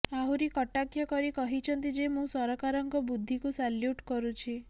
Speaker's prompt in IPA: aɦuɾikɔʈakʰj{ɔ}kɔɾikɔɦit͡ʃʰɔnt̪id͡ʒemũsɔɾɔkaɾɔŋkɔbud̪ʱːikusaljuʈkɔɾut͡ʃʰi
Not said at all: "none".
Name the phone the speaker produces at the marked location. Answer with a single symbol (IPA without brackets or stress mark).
ɔ